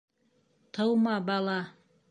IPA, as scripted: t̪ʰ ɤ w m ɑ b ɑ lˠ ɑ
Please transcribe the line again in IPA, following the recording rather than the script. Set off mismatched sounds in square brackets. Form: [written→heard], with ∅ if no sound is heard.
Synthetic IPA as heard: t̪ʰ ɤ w m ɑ b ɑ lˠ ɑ